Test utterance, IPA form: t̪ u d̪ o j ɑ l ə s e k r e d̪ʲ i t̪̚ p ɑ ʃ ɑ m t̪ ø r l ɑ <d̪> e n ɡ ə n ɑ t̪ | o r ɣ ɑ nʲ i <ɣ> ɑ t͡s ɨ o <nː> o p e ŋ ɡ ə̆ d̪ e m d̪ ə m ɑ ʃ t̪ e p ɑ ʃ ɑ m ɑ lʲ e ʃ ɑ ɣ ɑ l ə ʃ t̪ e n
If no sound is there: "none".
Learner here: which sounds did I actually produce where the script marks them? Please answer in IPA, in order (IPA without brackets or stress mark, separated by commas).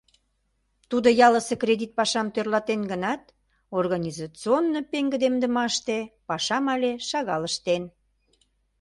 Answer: t̪, z, nː